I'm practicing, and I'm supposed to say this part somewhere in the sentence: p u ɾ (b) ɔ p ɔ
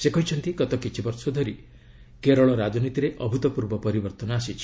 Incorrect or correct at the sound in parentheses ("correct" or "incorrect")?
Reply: correct